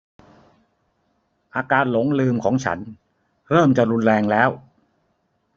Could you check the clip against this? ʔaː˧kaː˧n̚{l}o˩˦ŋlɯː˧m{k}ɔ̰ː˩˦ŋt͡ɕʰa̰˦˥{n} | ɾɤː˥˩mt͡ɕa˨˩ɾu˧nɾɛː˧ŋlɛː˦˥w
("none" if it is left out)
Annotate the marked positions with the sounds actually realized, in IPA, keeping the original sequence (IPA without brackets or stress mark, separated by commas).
l, kʰ, n